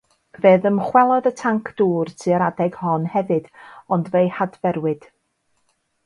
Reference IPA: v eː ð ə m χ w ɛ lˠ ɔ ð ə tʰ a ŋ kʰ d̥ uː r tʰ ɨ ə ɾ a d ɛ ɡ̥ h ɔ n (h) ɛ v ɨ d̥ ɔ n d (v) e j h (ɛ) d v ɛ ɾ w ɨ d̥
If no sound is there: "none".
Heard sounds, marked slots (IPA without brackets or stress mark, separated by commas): h, v, a